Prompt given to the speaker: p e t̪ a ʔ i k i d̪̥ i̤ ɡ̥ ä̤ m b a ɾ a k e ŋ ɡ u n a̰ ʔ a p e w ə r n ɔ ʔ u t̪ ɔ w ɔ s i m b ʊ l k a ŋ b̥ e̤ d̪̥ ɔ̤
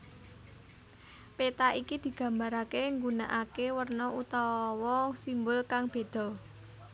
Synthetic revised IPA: p e t̪ a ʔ i k i d̪̥ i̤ ɡ̥ ä̤ m b a ɾ a k e ŋ ɡ u n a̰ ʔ a k e w ə r n ɔ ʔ u t̪ ɔ w ɔ s i m b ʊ l k a ŋ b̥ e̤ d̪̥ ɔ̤